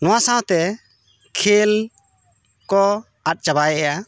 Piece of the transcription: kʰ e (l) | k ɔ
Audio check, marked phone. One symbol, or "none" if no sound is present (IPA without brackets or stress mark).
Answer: l